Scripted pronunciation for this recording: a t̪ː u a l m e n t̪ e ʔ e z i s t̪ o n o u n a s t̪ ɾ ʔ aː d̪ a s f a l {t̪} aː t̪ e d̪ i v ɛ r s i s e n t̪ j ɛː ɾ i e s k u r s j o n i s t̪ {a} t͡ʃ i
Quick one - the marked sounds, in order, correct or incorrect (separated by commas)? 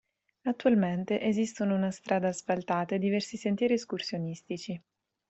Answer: correct, incorrect